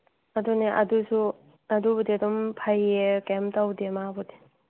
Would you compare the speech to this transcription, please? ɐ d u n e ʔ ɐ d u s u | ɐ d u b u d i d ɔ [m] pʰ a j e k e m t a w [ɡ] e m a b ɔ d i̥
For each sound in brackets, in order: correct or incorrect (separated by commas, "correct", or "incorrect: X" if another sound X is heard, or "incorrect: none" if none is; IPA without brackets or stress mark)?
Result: correct, incorrect: d